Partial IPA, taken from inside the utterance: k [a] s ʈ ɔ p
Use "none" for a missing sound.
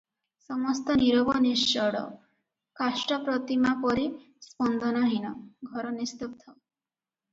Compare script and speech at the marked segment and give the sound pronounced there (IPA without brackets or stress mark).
a